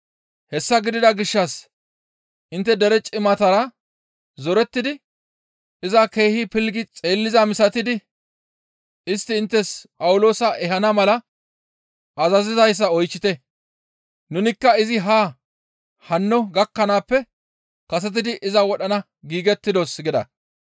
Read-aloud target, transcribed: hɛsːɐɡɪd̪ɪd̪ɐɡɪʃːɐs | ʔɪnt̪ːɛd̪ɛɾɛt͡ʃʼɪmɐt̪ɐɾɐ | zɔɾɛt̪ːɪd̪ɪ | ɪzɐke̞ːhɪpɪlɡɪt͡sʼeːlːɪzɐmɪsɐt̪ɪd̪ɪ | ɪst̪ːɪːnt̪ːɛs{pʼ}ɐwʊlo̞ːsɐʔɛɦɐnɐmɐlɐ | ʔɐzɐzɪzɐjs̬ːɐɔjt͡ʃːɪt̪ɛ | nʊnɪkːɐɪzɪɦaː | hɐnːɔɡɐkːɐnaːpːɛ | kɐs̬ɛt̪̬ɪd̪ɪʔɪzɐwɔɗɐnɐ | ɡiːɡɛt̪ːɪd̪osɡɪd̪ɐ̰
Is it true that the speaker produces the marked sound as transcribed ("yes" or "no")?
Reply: yes